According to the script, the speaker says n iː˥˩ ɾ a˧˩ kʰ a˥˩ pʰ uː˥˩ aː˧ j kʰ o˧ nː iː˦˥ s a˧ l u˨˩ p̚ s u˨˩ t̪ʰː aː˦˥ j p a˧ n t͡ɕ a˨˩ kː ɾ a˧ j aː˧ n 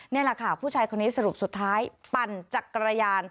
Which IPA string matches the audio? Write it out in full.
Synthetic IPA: n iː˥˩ l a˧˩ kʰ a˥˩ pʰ uː˥˩ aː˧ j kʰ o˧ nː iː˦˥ s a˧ ɾ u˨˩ p̚ s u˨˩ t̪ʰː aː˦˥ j p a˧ n t͡ɕ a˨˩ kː ɾ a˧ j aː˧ n

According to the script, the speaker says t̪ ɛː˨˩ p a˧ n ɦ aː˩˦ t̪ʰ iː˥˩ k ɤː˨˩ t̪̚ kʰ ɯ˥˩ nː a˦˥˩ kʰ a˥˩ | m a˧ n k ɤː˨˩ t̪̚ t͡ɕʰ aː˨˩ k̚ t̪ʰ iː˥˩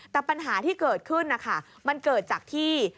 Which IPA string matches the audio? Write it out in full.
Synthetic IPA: t̪ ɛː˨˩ p a˧ n ɦ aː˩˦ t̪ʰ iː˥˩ k ɤː˨˩ t̪̚ kʰ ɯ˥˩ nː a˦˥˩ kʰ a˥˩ | m a˧ n k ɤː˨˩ t̪̚ t͡ɕ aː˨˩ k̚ t̪ʰ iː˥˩

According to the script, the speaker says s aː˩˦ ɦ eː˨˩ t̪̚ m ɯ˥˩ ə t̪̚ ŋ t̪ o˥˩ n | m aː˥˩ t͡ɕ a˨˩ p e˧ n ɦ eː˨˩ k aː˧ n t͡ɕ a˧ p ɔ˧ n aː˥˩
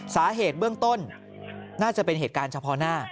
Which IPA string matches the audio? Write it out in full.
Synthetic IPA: s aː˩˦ ɦ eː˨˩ t̪̚ b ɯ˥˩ ə ŋ t̪ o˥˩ n | n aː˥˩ t͡ɕ a˨˩ p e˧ n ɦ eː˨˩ k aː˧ n t͡ɕʰ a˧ pʰ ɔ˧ n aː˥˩

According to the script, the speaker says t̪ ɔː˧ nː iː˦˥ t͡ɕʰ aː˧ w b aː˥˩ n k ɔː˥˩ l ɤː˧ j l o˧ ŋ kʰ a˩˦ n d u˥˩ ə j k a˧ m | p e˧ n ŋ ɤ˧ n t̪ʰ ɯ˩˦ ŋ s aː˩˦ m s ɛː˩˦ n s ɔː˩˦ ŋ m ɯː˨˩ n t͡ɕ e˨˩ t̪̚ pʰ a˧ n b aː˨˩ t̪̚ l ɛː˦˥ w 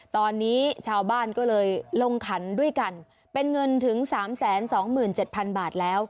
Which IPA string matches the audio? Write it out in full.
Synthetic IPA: t̪ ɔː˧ nː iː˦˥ t͡ɕʰ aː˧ w b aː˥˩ n k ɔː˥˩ l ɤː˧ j l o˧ ŋ kʰ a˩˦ n d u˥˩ ə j k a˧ n | p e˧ n ŋ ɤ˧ n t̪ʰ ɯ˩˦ ŋ s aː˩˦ m s ɛː˩˦ n s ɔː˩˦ ŋ m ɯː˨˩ n t͡ɕ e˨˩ t̪̚ pʰ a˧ n b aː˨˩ t̪̚ l ɛː˦˥ w

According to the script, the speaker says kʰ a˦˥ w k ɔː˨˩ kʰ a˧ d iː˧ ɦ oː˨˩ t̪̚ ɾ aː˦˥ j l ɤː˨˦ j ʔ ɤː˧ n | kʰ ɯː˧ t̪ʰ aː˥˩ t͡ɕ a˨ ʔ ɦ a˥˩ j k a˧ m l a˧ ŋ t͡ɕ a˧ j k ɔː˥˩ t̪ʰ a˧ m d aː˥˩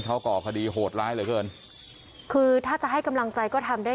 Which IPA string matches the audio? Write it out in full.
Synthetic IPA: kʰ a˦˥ w k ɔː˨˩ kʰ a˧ d iː˧ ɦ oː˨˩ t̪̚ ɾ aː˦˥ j l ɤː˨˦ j k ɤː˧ n | kʰ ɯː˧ t̪ʰ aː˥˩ t͡ɕ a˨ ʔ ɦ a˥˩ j k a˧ m l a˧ ŋ t͡ɕ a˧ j k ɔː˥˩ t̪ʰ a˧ m d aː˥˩

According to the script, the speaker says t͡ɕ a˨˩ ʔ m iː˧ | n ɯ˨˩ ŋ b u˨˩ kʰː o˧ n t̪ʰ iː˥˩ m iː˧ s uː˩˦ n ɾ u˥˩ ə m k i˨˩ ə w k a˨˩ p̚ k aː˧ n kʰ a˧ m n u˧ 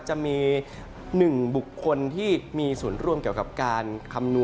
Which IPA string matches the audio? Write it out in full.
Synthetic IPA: t͡ɕ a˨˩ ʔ m iː˧ | n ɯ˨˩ ŋ b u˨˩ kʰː o˧ n t̪ʰ iː˥˩ m iː˧ s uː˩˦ n ɾ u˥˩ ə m k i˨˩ ə w k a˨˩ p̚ k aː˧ n kʰ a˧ m n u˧

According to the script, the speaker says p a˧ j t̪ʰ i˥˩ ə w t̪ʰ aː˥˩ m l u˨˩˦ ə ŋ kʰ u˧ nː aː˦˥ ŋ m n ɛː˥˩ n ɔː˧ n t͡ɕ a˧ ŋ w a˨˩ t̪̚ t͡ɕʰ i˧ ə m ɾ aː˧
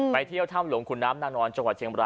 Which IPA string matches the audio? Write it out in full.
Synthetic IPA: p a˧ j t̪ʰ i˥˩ ə w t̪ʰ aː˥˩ m l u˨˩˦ ə ŋ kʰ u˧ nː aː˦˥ m n aː˥˩ n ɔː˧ n t͡ɕ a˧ ŋ w a˨˩ t̪̚ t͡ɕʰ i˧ ə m ɾ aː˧

